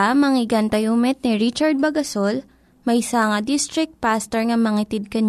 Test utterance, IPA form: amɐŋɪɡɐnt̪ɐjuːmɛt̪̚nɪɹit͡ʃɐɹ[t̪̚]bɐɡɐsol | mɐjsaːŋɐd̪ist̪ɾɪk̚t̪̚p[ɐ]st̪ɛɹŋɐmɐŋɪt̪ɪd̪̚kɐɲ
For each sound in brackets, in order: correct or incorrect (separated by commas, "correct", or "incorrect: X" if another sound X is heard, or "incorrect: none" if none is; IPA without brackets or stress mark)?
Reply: incorrect: d̪̚, incorrect: a